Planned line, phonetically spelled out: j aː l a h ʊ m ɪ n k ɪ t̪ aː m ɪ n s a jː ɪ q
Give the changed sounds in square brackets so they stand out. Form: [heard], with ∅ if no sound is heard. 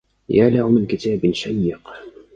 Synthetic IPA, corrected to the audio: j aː l a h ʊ m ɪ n k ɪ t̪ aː [b] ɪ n [ʃ] a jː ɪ q